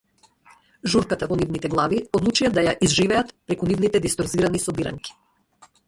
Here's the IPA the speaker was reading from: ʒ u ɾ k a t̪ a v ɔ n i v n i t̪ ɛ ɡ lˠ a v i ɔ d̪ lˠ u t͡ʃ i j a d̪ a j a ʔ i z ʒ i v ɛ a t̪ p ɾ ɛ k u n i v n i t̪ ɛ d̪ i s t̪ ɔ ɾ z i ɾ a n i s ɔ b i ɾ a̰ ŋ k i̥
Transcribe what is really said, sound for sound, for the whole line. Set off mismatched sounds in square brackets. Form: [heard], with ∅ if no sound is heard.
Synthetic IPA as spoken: ʒ u ɾ k a t̪ a v ɔ n i v n i t̪ ɛ ɡ lˠ a v i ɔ d̪ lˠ u t͡ʃ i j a d̪ a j a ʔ i z ʒ i v ɛ a t̪ p ɾ ɛ k u n i v n i t̪ ɛ d̪ i s t̪ ɔ ɾ z i ɾ a n i s ɔ b i ɾ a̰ ŋ k i̥